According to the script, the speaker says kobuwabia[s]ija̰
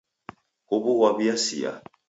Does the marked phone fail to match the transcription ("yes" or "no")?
no